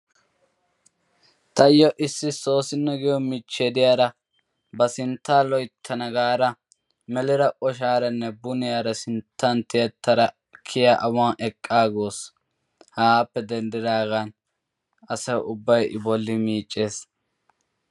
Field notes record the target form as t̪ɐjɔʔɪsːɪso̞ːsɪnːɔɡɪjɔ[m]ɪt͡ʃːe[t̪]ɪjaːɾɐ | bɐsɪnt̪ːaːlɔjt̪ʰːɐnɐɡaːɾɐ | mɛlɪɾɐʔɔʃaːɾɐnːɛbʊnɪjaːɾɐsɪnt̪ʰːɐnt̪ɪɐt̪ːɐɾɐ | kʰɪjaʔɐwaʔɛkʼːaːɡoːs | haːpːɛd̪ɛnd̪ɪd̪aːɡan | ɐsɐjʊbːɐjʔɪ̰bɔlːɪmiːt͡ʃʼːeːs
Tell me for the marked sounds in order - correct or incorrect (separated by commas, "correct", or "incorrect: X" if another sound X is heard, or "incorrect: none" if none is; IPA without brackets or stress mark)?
correct, incorrect: d̪